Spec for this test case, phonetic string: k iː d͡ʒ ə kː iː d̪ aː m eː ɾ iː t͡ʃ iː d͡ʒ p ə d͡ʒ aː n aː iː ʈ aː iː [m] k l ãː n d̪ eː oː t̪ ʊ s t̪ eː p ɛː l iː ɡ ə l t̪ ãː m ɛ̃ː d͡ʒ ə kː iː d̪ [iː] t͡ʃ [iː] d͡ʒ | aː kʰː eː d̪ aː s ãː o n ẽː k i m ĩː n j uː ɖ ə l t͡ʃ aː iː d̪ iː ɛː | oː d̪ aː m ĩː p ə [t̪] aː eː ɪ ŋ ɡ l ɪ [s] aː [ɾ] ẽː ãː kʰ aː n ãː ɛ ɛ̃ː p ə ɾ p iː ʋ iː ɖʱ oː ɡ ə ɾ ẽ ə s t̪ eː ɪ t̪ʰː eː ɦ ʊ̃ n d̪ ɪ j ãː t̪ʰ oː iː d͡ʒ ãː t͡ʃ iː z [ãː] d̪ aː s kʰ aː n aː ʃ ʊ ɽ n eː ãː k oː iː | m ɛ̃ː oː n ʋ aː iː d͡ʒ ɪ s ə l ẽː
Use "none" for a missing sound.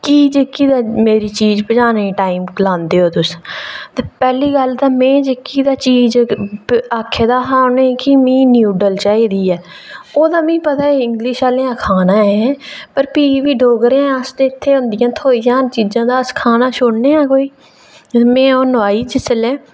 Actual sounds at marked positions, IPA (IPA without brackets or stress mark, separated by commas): m, aː, iː, t̪, ʃ, l, ãː